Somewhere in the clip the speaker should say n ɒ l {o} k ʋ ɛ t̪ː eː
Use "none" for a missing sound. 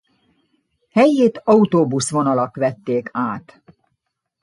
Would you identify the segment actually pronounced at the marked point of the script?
ɒ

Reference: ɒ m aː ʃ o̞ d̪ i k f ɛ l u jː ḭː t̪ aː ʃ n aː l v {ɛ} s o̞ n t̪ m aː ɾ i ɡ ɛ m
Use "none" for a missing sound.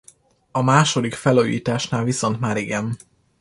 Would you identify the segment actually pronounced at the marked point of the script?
i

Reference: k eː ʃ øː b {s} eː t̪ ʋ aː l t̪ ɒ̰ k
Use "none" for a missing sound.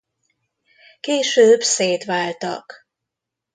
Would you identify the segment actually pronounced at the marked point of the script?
s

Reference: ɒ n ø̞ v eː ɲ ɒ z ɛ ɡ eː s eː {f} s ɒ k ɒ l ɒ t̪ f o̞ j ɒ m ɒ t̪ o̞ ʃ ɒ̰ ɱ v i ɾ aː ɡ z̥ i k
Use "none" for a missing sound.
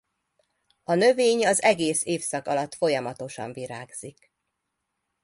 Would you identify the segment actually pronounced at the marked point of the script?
f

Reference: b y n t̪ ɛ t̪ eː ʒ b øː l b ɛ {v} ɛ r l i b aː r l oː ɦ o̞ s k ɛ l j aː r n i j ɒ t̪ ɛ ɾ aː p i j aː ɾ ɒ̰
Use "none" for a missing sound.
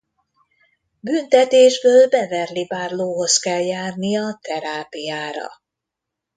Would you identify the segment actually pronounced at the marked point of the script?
v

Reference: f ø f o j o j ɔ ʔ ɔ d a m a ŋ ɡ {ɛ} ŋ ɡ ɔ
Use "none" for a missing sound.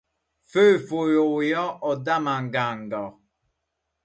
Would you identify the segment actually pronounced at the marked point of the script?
a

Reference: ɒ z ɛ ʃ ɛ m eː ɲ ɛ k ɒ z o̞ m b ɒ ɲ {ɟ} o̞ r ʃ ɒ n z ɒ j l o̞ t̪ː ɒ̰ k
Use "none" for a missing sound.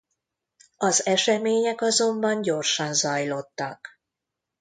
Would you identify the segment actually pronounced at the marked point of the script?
ɟ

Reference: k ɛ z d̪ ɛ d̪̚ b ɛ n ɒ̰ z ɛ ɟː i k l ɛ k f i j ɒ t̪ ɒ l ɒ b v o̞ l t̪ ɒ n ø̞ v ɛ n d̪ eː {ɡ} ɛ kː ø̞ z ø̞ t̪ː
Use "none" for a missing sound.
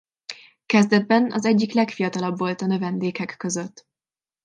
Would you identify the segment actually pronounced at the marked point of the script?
k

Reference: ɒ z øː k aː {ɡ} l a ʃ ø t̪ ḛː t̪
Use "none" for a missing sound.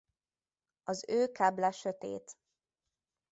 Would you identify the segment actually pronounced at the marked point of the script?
b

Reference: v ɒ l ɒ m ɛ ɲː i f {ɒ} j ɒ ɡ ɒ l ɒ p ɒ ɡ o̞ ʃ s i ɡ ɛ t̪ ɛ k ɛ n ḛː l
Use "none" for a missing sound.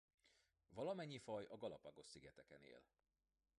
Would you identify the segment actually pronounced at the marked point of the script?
ɒ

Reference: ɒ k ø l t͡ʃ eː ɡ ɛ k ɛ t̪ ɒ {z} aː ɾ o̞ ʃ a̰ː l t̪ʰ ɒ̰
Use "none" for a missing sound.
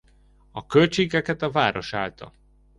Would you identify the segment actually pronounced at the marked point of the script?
v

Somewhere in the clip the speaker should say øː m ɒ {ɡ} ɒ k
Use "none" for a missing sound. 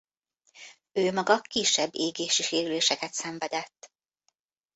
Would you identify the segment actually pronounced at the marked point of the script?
ɡ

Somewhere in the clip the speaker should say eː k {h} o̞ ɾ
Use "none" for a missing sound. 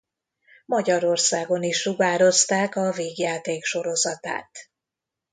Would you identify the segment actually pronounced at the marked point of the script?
ʃ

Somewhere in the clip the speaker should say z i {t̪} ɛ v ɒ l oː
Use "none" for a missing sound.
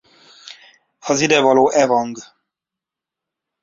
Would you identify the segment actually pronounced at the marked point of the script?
d̪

